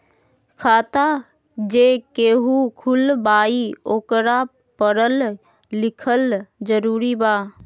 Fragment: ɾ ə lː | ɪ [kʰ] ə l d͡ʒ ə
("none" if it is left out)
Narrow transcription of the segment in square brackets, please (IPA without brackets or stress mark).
kʰ